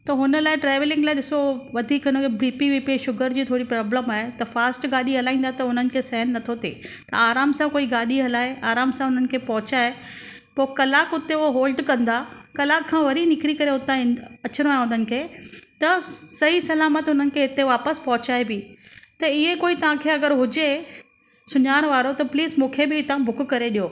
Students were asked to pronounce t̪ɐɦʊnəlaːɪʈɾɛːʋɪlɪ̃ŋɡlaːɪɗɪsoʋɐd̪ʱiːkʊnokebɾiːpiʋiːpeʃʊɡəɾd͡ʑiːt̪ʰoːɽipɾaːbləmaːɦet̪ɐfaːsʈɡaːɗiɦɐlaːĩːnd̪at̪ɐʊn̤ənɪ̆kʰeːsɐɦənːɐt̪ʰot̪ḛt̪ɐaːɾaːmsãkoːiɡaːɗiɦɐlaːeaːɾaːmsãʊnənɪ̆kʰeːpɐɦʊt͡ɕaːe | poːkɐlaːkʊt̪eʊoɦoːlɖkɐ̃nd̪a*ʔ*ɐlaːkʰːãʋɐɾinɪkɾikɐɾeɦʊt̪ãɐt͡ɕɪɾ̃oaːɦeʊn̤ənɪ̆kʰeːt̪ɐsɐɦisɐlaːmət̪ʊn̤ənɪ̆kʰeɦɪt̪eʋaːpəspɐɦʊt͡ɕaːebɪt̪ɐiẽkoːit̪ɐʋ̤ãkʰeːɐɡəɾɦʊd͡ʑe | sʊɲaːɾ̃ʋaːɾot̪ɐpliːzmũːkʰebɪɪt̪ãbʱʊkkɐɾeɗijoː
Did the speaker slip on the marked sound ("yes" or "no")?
yes